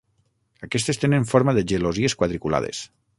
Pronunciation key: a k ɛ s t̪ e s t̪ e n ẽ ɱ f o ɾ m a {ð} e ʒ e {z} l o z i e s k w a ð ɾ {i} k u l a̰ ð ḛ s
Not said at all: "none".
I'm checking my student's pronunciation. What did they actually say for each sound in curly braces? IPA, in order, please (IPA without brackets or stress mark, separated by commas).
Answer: ð, none, i